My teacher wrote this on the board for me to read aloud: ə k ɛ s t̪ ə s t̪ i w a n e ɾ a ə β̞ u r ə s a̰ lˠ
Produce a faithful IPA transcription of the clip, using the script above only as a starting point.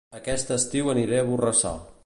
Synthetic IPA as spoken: ə k ɛ s t̪ ə s t̪ i w ə n i ɾ e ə β̞ u r ə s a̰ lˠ